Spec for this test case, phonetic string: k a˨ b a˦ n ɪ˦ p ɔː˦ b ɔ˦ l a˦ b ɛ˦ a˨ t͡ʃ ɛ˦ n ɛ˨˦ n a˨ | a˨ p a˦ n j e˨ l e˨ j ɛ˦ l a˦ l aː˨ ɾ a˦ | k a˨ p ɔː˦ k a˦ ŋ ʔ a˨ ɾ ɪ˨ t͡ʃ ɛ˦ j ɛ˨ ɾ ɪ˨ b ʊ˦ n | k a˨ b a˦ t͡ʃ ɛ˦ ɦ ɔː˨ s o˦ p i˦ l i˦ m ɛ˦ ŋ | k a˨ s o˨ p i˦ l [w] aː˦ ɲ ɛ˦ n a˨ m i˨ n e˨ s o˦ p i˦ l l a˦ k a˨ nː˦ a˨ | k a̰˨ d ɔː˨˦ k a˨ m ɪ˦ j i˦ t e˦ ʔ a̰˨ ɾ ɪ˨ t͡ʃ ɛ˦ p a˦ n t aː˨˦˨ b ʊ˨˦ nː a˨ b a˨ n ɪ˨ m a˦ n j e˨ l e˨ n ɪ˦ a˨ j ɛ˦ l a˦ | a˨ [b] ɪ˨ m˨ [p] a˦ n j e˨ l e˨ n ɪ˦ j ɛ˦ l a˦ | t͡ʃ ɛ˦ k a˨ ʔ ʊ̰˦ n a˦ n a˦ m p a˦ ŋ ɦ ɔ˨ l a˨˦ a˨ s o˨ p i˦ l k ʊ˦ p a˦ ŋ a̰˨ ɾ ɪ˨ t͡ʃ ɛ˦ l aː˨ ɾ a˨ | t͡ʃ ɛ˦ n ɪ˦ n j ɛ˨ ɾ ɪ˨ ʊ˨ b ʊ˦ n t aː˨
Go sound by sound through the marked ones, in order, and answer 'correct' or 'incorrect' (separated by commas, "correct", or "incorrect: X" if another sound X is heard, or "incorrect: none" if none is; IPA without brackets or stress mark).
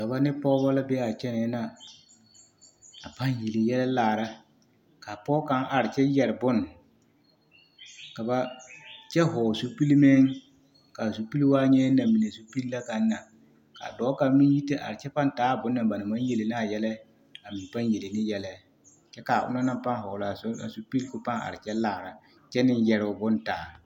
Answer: correct, incorrect: m, correct